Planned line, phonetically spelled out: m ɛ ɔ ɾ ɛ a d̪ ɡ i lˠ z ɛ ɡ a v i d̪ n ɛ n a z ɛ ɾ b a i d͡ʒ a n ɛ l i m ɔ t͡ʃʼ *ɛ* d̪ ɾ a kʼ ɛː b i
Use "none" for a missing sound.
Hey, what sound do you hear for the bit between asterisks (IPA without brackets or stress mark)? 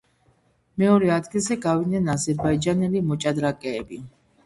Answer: a